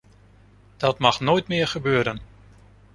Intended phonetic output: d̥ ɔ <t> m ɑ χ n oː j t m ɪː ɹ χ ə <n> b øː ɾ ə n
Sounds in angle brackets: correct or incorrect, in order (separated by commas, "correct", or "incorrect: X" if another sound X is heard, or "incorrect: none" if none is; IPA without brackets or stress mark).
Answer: correct, incorrect: none